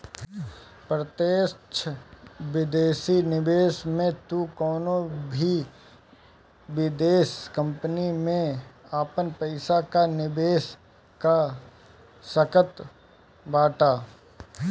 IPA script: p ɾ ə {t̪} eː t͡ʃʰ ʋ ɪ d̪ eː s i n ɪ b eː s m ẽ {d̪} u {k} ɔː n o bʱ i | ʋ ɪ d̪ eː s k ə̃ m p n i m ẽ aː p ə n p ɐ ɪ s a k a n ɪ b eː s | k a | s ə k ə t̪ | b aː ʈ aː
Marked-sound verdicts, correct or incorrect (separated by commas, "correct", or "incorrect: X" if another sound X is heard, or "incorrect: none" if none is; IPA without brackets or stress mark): correct, incorrect: t̪, correct